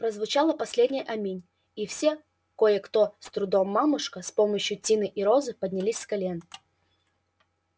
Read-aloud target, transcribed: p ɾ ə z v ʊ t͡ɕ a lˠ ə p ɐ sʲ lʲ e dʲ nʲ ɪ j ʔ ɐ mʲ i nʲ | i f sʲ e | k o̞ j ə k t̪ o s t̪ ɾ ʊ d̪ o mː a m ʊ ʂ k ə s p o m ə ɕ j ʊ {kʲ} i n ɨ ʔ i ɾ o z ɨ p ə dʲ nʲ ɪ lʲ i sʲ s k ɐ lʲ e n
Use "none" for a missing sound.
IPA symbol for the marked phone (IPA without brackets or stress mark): tʲ